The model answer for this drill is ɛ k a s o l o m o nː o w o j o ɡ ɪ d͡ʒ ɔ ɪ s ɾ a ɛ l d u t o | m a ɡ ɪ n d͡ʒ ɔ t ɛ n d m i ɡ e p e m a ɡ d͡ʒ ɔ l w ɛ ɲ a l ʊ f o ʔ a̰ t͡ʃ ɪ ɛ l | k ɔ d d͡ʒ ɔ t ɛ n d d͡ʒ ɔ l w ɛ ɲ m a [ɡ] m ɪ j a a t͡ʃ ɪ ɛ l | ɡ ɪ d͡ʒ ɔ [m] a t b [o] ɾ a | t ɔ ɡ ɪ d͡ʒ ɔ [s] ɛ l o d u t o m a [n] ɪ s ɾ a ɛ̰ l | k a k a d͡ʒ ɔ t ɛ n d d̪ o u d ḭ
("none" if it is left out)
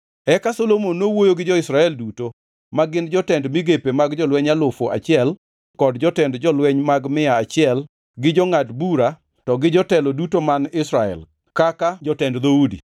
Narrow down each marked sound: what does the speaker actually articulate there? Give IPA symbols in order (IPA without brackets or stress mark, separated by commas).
ɡ, ŋ, u, t, n